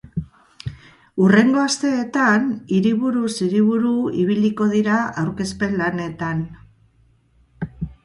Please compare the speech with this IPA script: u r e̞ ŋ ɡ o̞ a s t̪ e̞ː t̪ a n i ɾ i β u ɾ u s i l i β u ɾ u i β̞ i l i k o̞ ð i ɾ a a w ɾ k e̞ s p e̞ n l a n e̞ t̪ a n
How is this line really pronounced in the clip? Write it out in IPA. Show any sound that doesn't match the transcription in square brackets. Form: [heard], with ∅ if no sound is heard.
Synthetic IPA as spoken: u r e̞ ŋ ɡ o̞ a s t̪ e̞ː t̪ a n i ɾ i β u ɾ u s i [ɾ] i β u ɾ u i β̞ i l i k o̞ ð i ɾ a a w ɾ k e̞ s p e̞ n l a n e̞ t̪ a n